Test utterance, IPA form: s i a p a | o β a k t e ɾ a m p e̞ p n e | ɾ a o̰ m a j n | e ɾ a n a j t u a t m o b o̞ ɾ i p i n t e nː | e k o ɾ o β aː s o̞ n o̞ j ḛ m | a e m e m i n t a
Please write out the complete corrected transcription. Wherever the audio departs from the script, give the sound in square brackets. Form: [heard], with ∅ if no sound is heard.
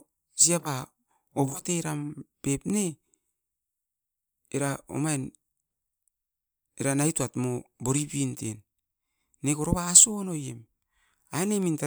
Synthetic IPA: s i a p a | o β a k t e ɾ a m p e̞ p n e | ɾ a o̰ m a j n | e ɾ a n a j t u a t m o b o̞ ɾ i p i n t e nː | e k o ɾ o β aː s o̞ n o̞ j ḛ m | a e [n] e m i n t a